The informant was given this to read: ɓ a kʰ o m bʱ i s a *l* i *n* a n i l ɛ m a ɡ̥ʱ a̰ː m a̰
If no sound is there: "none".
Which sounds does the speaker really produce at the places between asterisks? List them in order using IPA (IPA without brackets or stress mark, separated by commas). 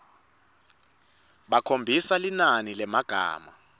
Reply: l, n